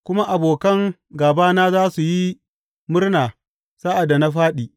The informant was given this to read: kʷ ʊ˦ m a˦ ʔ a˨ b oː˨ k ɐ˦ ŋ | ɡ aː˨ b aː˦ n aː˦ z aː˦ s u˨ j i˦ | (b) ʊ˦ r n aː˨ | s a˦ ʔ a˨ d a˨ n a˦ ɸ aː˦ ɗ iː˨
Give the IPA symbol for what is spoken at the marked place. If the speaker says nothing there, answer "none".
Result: m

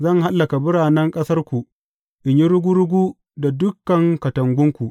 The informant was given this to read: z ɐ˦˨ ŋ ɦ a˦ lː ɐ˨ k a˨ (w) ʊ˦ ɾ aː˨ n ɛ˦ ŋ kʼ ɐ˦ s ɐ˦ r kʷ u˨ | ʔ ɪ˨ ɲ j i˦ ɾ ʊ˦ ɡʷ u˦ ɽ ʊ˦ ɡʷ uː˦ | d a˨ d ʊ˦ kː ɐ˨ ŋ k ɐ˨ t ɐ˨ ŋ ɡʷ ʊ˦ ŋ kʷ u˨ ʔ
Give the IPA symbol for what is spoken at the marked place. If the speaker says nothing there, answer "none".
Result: b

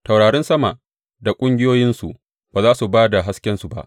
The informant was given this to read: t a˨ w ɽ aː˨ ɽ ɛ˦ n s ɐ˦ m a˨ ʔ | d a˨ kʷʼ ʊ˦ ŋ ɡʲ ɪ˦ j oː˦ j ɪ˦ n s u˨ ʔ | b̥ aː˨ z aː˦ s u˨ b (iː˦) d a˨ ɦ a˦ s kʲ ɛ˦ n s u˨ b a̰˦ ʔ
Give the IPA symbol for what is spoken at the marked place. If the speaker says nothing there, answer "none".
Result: aː˦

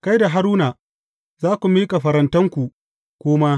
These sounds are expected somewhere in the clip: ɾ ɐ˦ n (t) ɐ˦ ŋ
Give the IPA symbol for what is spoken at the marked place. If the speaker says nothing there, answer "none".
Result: t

